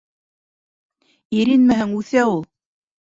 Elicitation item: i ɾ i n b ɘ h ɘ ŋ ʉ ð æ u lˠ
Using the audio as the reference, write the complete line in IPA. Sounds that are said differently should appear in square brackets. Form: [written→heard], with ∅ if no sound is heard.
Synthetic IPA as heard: i ɾ i n [b→m] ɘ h ɘ ŋ ʉ [ð→θ] æ u lˠ